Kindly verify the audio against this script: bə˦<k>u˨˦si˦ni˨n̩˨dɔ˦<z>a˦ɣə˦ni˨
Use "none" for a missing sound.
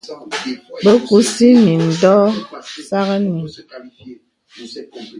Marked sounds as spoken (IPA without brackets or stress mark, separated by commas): k, s